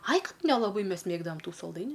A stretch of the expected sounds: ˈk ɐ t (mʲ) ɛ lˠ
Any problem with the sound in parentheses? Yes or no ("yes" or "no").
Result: yes